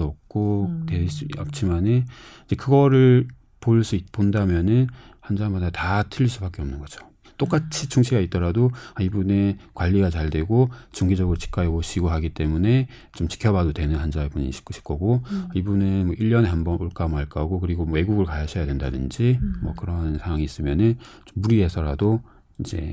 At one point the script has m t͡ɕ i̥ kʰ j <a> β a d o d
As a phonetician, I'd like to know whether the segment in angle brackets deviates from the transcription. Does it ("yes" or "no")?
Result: yes